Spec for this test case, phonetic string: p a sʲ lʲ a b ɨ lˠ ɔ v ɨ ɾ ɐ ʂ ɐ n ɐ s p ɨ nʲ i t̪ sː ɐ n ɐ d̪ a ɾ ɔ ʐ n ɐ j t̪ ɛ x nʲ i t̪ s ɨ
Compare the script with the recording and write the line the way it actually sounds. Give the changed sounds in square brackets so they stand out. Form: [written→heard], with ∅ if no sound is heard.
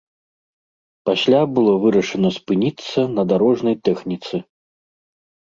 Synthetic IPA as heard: p a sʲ lʲ a b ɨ lˠ ɔ v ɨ ɾ ɐ ʂ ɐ n ɐ s p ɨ nʲ i t̪ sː ɐ n ɐ d̪ a ɾ ɔ ʐ n ɐ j t̪ ɛ x nʲ i t̪ s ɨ